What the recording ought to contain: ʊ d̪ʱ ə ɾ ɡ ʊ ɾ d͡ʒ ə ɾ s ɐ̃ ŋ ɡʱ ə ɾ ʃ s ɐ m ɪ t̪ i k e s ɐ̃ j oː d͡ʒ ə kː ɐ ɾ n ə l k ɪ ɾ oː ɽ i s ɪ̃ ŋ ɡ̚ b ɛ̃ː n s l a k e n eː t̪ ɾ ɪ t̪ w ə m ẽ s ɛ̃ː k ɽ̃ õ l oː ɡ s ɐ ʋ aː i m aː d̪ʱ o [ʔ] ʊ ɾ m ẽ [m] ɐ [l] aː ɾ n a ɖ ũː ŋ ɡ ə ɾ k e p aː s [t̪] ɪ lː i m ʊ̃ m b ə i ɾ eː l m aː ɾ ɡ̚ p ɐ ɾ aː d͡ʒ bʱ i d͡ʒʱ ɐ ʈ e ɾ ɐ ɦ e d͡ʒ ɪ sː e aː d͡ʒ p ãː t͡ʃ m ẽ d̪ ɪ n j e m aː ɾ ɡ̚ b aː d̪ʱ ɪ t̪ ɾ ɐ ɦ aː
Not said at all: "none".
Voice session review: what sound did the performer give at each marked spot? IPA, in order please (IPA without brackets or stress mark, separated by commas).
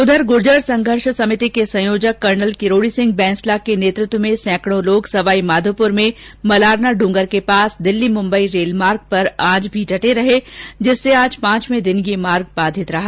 p, m, l, d̪